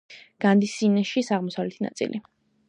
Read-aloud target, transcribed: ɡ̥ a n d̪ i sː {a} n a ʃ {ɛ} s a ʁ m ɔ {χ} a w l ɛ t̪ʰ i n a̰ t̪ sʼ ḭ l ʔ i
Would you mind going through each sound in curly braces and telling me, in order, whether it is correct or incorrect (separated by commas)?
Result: incorrect, incorrect, incorrect